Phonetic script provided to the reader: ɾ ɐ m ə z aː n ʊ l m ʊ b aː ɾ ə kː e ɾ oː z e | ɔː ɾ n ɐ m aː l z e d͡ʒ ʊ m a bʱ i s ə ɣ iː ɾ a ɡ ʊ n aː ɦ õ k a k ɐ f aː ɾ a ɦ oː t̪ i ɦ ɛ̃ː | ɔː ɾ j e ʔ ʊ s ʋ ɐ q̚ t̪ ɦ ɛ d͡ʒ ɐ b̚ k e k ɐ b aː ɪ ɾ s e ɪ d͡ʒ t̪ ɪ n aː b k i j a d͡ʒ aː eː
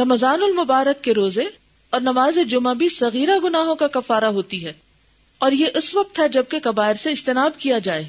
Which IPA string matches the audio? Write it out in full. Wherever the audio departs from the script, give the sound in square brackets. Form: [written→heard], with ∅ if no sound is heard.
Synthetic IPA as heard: ɾ ɐ m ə z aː n ʊ l m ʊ b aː ɾ ə kː e ɾ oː z e | ɔː ɾ n ɐ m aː [l→∅] z e d͡ʒ ʊ m a bʱ i s [ə→ɐ] ɣ iː ɾ a ɡ ʊ n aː ɦ õ k a k ɐ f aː ɾ a ɦ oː t̪ i ɦ [ɛ̃ː→ɛː] | ɔː ɾ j e ʔ ʊ s ʋ ɐ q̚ t̪ ɦ ɛ d͡ʒ ɐ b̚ k e k ɐ b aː ɪ ɾ s e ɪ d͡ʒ t̪ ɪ n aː b k i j a d͡ʒ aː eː